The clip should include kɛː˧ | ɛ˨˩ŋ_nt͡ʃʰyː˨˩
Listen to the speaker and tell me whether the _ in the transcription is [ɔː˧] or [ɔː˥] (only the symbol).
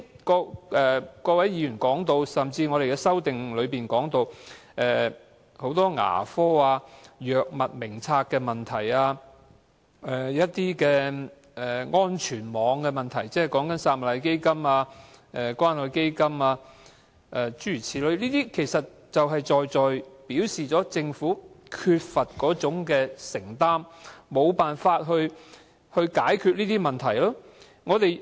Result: ɔː˥